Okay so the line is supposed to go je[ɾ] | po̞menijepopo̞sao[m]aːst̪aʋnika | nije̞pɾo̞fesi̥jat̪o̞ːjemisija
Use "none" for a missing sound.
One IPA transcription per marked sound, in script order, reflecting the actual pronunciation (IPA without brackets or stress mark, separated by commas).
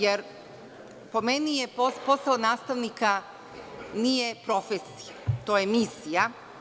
ɾ, n